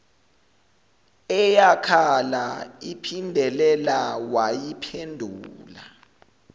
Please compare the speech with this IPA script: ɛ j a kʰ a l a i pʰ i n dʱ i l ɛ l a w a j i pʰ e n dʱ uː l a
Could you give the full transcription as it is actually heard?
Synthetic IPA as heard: ɛ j a kʰ a l a i pʰ i n dʱ ɛ l ɛ l a w a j i pʰ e n dʱ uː l a